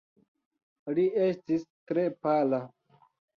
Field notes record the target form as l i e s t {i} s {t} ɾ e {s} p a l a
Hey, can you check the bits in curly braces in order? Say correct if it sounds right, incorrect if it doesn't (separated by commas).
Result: correct, correct, incorrect